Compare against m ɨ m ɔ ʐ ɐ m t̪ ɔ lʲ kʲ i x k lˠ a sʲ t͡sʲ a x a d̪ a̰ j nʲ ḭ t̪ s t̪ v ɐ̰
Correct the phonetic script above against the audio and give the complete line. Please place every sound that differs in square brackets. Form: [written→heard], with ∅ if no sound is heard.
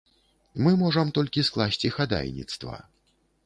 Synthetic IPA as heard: m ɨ m ɔ ʐ ɐ m t̪ ɔ lʲ kʲ i [x→s] k lˠ a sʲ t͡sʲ [a→i] x a d̪ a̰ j nʲ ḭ t̪ s t̪ v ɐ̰